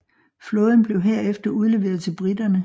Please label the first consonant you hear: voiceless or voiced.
voiceless